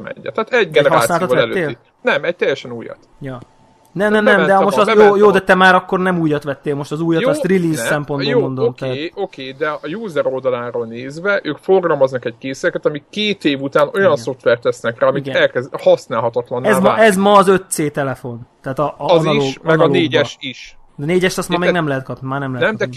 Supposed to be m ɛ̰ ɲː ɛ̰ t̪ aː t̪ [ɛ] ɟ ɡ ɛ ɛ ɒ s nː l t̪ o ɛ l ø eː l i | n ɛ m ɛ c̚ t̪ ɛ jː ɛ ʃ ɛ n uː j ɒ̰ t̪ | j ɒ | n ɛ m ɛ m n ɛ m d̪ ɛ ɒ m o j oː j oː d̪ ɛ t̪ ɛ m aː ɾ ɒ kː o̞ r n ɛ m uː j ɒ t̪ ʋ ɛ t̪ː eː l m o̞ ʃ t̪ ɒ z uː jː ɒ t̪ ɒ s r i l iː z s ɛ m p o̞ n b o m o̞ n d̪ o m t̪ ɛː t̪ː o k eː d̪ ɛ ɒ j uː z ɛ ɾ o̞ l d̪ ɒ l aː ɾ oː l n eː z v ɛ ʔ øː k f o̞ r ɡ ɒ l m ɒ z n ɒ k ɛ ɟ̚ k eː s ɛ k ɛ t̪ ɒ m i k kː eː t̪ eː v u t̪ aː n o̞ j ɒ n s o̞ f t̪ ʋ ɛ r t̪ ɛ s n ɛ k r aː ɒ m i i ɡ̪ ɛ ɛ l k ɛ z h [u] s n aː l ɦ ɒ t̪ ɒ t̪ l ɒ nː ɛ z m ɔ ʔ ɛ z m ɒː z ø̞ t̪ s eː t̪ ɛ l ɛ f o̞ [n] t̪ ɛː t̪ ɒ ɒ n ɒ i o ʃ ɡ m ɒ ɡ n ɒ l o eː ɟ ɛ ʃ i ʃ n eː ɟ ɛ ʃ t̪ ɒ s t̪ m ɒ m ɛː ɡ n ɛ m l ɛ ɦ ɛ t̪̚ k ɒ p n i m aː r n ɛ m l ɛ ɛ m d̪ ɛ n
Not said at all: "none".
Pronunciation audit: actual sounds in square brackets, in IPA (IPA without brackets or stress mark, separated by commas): ɛ, ɒ, n